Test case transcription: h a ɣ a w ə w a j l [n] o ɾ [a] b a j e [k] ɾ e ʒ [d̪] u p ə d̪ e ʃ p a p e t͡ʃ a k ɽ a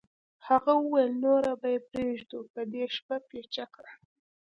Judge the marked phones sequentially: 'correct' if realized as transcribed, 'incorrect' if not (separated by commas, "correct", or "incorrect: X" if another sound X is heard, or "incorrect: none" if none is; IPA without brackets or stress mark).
correct, correct, incorrect: p, correct